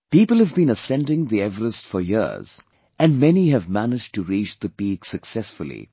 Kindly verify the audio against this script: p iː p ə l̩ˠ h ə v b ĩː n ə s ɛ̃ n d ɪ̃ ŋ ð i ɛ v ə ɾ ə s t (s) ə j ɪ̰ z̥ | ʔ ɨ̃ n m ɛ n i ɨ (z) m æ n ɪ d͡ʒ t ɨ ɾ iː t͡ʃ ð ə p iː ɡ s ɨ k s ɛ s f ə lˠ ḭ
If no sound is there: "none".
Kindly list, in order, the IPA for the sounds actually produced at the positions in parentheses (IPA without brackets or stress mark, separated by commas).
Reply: f, v